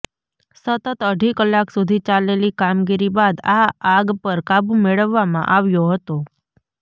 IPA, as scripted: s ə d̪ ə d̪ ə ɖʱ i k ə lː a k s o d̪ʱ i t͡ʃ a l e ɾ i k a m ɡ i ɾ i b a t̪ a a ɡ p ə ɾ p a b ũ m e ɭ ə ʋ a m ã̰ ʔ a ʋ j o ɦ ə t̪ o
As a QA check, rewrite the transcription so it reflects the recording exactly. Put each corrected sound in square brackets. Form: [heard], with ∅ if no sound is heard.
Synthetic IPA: s ə [t̪] ə [t̪] ə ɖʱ i k ə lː a k s [u] d̪ʱ i t͡ʃ a l e [l] i k a m ɡ i ɾ i b a [d̪] a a ɡ p ə ɾ [k] a b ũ m e ɭ ə [ʋː] a m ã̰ ʔ a ʋ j o ɦ ə t̪ o